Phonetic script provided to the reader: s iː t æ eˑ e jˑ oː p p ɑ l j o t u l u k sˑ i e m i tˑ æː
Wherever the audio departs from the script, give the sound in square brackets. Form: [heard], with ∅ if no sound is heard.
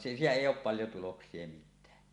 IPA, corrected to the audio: s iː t æ eˑ [i] jˑ oː p p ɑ l j o t u l [o] k sˑ i e m i tˑ æː